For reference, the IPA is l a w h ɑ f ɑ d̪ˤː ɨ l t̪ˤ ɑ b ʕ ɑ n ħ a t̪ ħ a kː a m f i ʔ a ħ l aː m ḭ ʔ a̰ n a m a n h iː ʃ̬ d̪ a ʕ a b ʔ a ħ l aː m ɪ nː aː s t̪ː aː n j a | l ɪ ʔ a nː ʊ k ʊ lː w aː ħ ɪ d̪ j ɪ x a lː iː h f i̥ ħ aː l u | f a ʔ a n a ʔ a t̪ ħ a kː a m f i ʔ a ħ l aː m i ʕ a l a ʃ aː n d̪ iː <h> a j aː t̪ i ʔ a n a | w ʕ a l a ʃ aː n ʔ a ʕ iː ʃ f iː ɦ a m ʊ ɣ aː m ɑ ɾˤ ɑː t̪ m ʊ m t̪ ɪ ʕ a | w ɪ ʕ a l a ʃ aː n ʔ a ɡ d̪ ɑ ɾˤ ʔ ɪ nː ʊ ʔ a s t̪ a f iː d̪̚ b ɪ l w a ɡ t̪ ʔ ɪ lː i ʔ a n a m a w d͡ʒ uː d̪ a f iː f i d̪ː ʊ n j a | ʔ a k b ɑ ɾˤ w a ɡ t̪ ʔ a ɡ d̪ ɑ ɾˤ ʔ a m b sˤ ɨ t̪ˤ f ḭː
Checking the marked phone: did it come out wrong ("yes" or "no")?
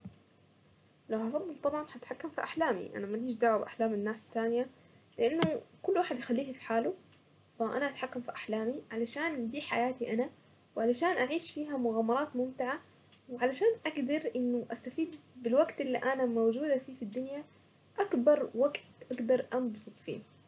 yes